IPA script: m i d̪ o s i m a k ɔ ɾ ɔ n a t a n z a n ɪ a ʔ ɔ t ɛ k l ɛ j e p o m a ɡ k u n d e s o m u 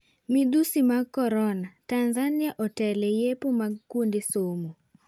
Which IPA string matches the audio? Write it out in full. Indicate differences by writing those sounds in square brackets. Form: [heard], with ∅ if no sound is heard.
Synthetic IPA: m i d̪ [u] s i m a k ɔ ɾ ɔ n a t a n z a n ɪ a ʔ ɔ t ɛ [∅] l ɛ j e p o m a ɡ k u n d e s o m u